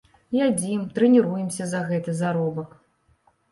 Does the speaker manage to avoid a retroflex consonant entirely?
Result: yes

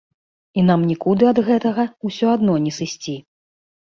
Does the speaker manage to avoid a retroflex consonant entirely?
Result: yes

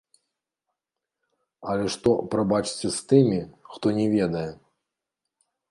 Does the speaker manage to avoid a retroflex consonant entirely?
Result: no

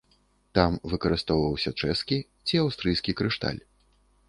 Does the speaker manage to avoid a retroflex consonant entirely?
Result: no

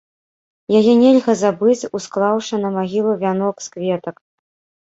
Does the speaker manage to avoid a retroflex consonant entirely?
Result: no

